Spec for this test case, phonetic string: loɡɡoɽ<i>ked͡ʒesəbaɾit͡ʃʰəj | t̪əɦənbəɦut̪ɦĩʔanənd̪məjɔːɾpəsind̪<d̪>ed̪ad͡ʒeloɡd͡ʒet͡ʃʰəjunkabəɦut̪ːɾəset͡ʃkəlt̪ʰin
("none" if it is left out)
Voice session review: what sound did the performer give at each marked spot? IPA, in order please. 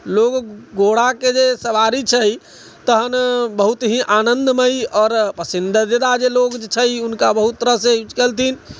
a, d̪

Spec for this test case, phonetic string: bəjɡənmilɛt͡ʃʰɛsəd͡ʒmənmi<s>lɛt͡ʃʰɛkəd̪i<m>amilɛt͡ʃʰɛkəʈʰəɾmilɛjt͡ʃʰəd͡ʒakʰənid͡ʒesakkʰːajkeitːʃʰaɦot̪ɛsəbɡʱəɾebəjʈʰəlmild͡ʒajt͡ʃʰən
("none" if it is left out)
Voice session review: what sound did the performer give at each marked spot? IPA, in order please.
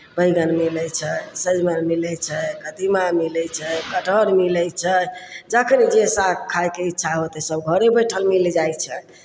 none, m

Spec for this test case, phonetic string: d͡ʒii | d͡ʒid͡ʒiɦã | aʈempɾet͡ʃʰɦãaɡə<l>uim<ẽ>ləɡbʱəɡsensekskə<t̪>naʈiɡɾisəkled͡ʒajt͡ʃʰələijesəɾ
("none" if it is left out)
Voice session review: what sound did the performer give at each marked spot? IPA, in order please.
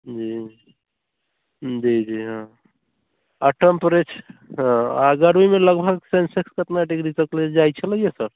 ɾ, e, t̪

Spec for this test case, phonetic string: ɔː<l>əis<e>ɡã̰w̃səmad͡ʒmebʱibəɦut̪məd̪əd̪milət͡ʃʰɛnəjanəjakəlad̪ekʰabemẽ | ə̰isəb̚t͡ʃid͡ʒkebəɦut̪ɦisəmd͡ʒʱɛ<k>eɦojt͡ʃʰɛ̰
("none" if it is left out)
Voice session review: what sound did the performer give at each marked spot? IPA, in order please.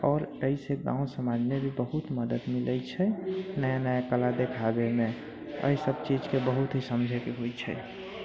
ɾ, e, k

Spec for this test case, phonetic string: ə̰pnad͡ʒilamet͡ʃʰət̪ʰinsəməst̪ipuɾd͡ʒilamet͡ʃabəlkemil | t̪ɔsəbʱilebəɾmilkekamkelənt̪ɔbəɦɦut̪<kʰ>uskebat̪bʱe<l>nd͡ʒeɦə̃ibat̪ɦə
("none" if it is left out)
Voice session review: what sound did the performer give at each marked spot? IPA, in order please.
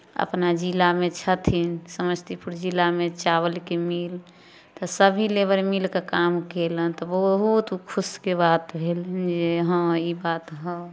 kʰ, l

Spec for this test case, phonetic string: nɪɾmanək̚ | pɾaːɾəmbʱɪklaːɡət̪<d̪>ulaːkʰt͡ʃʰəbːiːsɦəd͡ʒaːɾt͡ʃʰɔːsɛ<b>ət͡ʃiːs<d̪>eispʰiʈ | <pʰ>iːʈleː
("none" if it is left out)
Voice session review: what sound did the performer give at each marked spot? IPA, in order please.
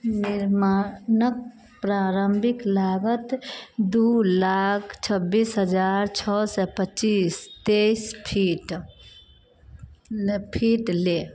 d̪, p, t̪, pʰ

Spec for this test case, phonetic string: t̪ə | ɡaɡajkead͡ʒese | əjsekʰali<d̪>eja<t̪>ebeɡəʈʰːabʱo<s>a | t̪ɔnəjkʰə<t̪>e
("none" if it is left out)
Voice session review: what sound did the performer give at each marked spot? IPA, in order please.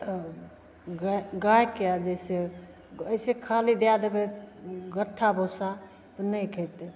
d̪, d̪, s, t̪

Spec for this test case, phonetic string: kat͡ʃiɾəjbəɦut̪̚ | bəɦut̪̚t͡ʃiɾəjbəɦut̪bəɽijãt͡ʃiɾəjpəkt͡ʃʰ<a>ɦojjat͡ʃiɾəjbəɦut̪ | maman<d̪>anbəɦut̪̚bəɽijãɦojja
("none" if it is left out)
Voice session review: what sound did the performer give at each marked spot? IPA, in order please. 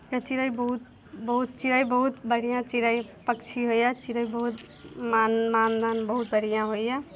i, d̪

